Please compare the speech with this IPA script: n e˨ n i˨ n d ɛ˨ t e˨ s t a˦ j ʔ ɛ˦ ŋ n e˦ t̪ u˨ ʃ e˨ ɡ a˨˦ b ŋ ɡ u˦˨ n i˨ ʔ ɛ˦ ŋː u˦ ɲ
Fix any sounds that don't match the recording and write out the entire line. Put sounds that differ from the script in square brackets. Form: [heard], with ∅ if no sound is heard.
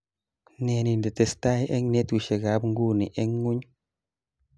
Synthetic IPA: n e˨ n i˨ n d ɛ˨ t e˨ s t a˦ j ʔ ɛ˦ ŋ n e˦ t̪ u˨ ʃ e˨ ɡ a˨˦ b ŋ ɡ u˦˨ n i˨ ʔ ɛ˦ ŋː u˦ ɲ